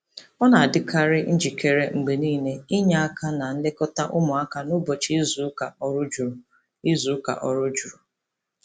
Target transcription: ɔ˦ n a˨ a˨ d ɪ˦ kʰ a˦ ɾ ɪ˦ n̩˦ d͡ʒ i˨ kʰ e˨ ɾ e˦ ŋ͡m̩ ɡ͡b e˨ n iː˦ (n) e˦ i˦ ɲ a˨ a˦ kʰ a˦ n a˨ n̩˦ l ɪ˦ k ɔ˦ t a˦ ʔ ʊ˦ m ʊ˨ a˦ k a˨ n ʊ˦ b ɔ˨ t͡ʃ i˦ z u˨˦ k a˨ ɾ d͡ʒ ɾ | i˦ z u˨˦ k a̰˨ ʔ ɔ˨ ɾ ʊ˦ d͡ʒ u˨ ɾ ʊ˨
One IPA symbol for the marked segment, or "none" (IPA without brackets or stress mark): n